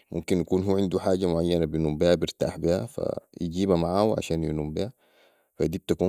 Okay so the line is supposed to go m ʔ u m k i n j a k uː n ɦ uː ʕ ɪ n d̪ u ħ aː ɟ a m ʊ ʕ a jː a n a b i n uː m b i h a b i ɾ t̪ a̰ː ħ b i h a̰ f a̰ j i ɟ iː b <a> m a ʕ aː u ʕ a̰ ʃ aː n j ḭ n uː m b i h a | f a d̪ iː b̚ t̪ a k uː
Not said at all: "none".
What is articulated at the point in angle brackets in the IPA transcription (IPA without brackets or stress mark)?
a